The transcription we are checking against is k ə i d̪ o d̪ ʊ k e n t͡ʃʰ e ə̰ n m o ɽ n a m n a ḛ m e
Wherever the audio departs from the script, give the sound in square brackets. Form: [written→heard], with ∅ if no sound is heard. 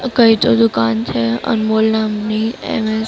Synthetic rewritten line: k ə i [d̪→t̪] o d̪ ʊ k [e→a] n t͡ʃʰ e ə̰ n m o [ɽ→l] n a m n [a→i] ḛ m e